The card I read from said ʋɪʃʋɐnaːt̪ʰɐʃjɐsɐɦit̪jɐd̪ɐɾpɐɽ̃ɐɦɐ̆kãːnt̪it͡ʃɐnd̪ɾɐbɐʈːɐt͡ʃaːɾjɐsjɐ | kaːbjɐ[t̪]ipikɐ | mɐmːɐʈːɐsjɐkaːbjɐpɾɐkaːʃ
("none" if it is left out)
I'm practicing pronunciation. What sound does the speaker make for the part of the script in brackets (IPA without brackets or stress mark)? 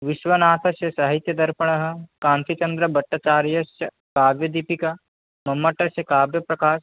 d̪